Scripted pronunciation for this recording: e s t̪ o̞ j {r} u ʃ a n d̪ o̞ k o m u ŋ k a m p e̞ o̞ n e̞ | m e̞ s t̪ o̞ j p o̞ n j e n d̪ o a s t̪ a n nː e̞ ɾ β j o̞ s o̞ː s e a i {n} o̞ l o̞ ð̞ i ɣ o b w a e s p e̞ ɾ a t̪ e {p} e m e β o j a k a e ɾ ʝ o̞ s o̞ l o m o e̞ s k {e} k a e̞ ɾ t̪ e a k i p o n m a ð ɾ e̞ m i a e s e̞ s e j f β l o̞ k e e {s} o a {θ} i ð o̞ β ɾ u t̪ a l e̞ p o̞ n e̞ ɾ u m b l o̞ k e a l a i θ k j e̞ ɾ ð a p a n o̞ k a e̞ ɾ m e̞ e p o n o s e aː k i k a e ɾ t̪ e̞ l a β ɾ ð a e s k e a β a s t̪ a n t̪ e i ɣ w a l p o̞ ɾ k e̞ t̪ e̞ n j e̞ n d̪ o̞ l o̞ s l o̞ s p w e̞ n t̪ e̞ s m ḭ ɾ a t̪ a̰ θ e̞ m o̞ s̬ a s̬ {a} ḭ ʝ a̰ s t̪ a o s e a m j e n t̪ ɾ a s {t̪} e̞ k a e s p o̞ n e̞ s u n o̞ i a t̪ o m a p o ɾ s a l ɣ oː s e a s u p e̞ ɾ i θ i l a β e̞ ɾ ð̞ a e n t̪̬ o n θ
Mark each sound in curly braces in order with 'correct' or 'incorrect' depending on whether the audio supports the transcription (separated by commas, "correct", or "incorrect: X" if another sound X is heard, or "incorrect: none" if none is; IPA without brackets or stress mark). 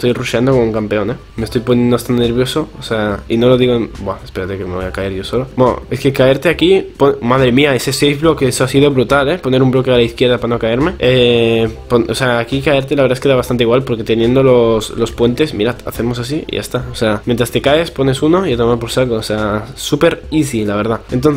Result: correct, correct, incorrect: k, correct, correct, incorrect: s, incorrect: i, correct